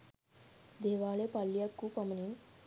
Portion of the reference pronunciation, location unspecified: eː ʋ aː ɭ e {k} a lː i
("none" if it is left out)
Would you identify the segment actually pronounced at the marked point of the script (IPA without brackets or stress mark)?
p